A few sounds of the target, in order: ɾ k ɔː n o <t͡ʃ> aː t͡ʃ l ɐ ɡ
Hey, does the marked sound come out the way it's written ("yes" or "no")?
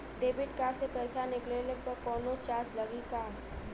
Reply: yes